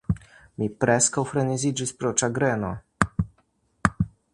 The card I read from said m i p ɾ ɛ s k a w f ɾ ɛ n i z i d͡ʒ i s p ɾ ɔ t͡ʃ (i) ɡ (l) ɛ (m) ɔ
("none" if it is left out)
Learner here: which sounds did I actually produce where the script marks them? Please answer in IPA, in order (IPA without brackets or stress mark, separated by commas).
a, ɾ, n